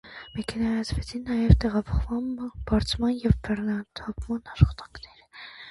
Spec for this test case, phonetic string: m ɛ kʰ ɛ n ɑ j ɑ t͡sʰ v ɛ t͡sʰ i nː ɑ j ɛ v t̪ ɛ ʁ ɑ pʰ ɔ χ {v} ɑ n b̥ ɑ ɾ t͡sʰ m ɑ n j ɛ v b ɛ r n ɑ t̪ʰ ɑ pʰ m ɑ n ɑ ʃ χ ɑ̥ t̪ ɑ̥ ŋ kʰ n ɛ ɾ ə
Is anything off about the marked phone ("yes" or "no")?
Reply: no